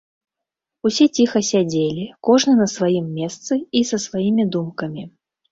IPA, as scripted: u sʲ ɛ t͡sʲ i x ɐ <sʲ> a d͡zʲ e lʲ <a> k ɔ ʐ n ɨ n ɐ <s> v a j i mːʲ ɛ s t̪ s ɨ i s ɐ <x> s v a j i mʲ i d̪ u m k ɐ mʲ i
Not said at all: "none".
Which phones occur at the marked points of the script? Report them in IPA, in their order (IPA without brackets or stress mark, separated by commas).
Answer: sʲ, i, s, none